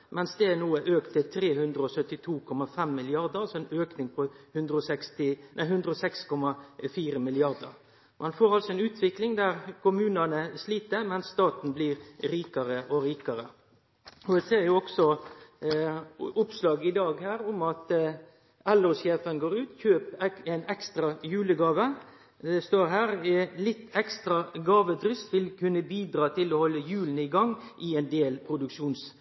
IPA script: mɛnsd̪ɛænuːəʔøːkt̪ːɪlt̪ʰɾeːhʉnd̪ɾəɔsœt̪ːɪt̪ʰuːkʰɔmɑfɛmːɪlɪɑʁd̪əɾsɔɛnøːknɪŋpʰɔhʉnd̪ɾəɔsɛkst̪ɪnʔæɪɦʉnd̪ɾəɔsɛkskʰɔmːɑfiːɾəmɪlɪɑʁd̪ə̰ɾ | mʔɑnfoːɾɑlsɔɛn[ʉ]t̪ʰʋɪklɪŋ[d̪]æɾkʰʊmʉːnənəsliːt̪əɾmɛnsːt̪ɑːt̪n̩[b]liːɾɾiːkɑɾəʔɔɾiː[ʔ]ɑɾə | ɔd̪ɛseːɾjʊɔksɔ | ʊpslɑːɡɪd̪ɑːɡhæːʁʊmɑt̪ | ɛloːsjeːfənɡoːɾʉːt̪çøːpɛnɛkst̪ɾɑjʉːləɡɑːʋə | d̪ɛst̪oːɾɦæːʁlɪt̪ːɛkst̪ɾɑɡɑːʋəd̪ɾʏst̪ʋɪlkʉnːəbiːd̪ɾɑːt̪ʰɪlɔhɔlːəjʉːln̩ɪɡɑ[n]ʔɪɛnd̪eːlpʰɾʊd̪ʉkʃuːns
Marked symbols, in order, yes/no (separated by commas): no, yes, yes, no, no